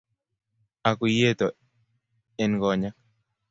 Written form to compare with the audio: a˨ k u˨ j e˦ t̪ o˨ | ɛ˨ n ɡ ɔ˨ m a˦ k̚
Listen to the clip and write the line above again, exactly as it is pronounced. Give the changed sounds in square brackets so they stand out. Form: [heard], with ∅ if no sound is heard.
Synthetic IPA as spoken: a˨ k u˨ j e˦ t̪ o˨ | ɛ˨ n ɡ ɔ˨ [ɲ] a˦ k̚